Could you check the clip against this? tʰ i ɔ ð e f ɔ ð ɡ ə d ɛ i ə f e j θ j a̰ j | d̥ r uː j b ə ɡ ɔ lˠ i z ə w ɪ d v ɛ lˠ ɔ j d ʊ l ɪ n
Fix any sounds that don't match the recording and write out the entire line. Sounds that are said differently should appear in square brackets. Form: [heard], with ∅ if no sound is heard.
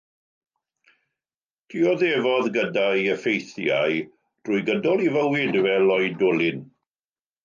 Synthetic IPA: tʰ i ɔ ð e [v] ɔ ð ɡ ə d [a] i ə f e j θ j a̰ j | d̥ r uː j [ɡ] ə [d] ɔ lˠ i [v] ə w ɪ d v ɛ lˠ ɔ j d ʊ l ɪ n